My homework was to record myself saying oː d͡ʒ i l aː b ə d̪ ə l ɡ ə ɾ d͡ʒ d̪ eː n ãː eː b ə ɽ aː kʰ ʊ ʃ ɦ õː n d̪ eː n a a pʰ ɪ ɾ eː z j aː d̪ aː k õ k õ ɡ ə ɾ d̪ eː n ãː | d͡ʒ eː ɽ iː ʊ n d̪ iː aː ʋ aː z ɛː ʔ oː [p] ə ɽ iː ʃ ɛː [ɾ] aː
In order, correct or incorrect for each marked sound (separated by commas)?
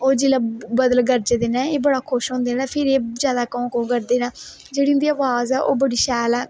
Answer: incorrect, incorrect